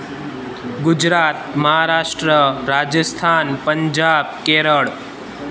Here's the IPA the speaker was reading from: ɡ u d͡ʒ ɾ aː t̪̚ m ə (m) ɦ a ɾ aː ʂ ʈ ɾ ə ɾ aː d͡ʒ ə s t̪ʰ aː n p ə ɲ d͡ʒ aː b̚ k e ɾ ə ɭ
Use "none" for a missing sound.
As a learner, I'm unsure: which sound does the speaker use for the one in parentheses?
none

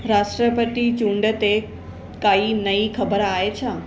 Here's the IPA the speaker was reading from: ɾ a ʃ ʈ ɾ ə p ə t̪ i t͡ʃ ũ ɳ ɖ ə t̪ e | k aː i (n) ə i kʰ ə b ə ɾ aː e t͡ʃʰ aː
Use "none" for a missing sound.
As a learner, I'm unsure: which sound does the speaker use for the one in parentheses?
n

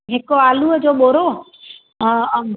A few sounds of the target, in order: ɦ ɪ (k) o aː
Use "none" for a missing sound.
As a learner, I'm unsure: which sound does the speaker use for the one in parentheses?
k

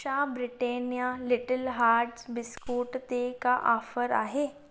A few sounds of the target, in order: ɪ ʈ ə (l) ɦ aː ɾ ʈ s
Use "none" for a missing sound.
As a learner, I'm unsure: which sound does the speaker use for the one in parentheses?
l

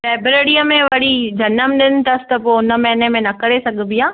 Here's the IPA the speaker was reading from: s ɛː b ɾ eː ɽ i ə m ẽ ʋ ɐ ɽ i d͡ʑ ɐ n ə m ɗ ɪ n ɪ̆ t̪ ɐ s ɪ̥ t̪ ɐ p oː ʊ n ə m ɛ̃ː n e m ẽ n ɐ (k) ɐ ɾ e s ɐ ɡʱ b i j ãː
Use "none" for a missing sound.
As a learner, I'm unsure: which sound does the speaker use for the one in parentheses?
k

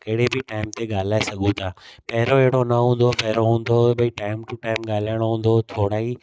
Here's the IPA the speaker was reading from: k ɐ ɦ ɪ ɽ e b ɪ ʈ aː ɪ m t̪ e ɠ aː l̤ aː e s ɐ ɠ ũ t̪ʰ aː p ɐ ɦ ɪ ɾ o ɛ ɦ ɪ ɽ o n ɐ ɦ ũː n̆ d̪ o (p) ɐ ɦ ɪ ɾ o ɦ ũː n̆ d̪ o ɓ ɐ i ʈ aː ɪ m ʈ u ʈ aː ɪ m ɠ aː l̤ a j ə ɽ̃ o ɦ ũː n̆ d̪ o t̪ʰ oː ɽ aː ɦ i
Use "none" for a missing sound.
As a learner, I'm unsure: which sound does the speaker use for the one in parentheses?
p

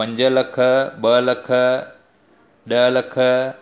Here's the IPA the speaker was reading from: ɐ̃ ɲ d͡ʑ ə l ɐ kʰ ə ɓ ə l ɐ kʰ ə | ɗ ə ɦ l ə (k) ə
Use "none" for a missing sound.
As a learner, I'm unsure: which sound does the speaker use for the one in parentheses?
kʰ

